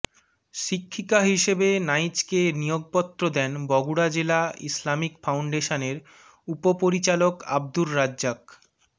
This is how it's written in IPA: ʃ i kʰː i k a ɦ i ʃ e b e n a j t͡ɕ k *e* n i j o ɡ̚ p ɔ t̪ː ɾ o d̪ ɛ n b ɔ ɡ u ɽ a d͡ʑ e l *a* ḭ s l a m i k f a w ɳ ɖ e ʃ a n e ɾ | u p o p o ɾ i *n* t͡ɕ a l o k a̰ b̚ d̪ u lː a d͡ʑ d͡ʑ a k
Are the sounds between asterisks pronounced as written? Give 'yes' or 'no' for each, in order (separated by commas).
yes, yes, no